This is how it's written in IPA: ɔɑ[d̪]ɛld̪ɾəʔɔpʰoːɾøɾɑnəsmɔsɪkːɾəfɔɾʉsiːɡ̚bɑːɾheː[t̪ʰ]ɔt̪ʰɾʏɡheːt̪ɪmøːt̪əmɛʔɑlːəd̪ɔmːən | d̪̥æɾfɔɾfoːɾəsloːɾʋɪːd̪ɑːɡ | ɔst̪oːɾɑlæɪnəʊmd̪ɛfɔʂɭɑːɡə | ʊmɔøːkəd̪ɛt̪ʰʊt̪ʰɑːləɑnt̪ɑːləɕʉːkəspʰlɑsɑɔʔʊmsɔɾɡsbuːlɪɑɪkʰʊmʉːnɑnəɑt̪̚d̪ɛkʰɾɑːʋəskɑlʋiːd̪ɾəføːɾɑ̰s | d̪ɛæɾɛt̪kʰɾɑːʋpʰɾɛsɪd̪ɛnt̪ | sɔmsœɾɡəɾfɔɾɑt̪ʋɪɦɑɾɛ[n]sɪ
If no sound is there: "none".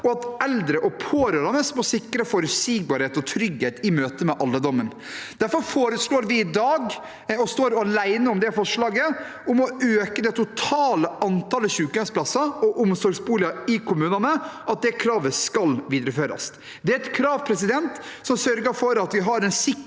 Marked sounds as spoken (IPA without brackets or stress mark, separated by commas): t̪, t̪, n